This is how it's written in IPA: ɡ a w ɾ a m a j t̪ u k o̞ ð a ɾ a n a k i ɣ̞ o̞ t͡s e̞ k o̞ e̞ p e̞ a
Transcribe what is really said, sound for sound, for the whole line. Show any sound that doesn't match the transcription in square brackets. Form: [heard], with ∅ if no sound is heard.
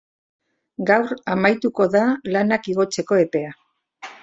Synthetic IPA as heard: ɡ a w ɾ a m a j t̪ u k o̞ ð a [l] a n a k i ɣ̞ o̞ t͡s e̞ k o̞ e̞ p e̞ a